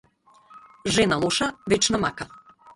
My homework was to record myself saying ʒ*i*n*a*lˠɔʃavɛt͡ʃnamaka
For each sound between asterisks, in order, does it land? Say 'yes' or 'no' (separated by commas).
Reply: no, yes